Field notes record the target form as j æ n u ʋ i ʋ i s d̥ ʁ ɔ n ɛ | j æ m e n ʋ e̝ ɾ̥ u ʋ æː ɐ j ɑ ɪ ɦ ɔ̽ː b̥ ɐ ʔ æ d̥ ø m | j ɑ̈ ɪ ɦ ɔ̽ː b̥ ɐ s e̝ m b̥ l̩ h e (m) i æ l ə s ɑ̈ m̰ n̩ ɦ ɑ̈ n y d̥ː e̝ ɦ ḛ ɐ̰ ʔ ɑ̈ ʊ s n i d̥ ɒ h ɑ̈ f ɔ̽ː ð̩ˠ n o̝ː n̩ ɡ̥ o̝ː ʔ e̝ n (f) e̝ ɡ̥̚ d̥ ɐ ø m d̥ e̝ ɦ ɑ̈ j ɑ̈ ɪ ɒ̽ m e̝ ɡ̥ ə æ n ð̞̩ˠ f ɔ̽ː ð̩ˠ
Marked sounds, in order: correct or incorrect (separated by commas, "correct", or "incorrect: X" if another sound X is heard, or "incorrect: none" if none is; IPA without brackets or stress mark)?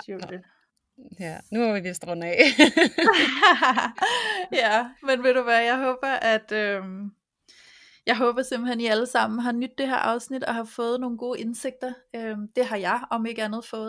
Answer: incorrect: n, incorrect: s